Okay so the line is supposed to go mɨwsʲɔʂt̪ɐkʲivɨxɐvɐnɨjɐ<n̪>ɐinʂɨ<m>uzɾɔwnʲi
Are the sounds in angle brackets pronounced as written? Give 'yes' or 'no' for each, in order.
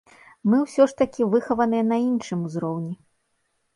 yes, yes

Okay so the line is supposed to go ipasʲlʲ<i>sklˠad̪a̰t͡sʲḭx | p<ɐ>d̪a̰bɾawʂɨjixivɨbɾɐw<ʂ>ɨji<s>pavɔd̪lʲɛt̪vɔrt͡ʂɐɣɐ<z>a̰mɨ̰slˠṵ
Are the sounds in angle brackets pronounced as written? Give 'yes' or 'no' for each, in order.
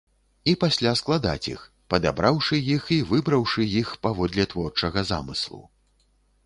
no, yes, yes, no, yes

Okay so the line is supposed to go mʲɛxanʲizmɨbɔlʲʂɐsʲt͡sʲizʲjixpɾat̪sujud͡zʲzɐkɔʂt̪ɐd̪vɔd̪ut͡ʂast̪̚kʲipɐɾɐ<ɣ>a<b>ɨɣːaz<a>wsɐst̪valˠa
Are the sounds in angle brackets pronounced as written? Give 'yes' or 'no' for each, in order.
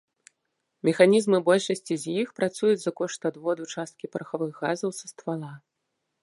no, no, no

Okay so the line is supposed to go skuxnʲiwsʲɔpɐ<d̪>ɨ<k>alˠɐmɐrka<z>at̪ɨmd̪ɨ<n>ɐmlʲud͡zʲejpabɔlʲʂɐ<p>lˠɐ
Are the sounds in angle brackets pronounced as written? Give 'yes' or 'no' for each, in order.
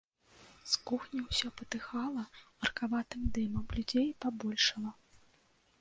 no, no, no, no, no

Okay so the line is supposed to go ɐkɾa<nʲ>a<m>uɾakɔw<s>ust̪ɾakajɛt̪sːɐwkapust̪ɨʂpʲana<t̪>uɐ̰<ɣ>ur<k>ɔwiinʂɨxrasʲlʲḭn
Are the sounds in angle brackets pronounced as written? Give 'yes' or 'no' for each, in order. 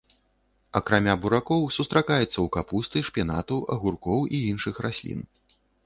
no, no, yes, yes, yes, yes

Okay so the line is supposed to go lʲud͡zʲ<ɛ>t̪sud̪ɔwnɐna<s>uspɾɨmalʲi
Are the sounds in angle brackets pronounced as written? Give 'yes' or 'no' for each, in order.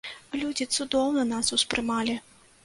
no, yes

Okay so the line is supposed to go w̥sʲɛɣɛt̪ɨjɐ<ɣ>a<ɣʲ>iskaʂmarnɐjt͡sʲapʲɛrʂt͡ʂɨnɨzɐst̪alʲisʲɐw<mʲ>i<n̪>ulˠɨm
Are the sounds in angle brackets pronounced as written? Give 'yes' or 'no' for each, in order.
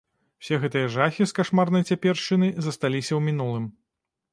no, no, yes, yes

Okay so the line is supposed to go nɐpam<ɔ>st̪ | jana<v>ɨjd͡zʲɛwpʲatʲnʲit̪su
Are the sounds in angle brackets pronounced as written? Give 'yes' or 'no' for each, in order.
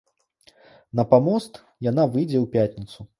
yes, yes

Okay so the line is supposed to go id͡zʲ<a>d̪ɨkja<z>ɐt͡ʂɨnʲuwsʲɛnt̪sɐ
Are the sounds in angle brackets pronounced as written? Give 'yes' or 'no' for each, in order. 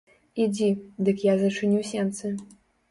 no, yes

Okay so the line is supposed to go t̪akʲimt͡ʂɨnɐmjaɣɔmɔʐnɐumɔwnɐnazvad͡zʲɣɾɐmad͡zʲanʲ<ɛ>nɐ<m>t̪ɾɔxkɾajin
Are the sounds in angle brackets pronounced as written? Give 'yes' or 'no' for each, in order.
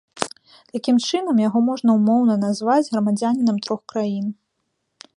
no, yes

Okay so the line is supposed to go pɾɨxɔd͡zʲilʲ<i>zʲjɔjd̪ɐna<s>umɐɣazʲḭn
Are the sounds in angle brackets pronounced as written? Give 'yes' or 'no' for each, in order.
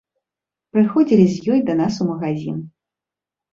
yes, yes

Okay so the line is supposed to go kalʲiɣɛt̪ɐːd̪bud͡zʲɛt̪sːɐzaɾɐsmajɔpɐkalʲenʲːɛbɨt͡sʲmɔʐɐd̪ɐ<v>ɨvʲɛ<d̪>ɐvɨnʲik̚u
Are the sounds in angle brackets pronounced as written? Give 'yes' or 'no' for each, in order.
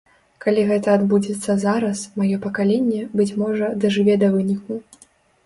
no, yes

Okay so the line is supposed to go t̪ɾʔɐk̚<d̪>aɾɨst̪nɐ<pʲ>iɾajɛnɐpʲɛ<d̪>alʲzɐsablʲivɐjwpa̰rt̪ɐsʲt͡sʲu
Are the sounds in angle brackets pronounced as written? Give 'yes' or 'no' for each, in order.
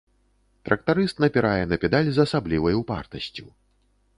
no, yes, yes

